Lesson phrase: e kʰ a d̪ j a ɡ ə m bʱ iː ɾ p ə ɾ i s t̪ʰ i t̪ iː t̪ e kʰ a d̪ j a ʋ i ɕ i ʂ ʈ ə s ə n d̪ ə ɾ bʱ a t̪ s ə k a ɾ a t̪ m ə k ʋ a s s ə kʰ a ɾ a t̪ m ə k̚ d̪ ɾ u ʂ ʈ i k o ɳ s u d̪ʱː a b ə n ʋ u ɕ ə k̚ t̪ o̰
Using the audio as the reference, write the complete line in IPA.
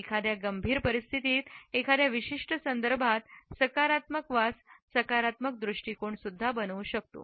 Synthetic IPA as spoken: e kʰ a d̪ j a ɡ ə m bʱ iː ɾ p ə ɾ i s t̪ʰ i t̪ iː t̪ e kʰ a d̪ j a ʋ i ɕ i ʂ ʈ ə s ə n d̪ ə ɾ bʱ a t̪ s ə k a ɾ a t̪ m ə k ʋ a s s ə k a ɾ a t̪ m ə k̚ d̪ ɾ u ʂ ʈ i k o ɳ s u d̪ʱː a b ə n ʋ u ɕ ə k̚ t̪ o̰